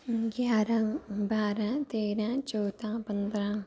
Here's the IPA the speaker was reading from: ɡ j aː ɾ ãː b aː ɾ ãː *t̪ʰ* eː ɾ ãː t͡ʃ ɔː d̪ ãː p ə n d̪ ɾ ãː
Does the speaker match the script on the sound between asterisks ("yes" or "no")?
no